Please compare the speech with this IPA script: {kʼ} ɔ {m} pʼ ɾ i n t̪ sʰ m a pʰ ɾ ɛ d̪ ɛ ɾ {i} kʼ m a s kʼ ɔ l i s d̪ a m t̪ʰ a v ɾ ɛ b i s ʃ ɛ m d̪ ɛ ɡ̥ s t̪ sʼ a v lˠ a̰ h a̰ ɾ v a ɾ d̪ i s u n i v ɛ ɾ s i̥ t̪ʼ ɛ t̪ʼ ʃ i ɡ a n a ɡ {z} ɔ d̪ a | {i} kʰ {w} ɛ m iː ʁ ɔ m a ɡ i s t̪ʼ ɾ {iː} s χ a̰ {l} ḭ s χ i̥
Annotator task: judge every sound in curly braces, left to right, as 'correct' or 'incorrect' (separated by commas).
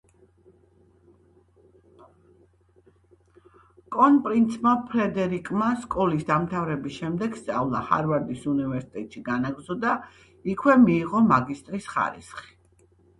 correct, incorrect, correct, correct, correct, correct, incorrect, incorrect